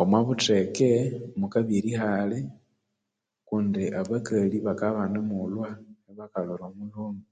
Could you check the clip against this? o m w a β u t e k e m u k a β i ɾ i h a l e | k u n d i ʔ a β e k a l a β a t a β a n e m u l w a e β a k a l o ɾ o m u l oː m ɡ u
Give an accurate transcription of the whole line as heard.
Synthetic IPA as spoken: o m w a β u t e k e m u k a β i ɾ i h a l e | k u n d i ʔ a β a k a l i β a k a β a n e m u l w a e β a k a l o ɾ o m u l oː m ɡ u